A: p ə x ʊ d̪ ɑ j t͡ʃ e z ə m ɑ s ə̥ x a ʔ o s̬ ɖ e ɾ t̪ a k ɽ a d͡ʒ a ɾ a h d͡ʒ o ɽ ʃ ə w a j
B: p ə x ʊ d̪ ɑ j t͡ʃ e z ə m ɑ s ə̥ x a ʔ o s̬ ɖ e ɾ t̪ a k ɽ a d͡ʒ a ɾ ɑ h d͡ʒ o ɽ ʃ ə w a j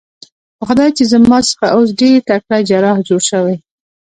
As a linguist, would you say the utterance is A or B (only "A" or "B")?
B